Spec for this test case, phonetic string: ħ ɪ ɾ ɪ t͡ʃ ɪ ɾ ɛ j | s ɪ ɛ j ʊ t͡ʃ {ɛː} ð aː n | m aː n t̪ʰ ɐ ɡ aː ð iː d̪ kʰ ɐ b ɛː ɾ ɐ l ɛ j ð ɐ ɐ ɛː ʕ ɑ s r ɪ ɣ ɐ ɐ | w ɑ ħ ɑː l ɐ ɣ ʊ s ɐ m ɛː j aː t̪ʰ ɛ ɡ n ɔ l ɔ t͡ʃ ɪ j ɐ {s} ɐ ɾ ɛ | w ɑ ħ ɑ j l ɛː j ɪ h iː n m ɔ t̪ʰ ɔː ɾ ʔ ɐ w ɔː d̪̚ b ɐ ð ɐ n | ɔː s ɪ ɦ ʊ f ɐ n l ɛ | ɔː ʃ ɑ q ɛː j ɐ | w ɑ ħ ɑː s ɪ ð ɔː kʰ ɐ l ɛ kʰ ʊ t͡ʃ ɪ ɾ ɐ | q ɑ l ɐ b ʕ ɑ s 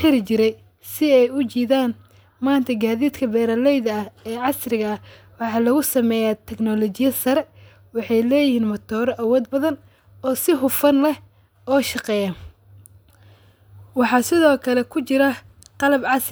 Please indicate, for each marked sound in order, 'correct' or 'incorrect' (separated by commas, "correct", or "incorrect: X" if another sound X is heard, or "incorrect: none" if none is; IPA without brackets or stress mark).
incorrect: iː, correct